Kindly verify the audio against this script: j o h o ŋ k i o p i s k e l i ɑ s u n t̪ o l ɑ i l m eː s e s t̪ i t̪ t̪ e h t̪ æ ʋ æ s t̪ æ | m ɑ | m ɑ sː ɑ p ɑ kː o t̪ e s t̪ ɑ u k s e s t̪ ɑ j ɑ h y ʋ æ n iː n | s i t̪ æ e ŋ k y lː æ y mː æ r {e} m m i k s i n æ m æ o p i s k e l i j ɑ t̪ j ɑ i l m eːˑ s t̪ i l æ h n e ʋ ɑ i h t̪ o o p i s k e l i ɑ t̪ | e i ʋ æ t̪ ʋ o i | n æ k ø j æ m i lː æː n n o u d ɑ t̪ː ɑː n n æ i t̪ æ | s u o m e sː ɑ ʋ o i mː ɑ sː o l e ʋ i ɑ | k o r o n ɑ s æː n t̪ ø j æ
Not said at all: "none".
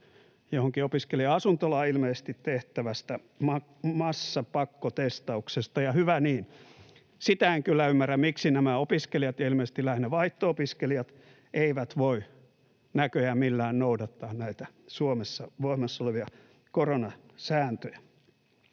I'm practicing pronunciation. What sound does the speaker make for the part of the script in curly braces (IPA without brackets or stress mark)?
æ